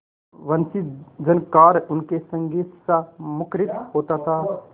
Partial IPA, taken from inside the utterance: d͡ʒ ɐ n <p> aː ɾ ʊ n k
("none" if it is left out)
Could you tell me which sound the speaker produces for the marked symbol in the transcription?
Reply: k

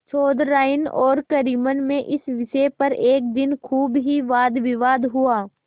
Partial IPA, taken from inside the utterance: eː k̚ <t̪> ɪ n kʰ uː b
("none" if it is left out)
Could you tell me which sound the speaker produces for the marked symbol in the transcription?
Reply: d̪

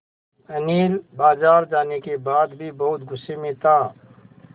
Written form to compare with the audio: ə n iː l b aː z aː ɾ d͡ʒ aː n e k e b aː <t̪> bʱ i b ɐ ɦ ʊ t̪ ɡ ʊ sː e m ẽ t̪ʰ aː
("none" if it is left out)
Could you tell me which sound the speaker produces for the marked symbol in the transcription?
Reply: d̪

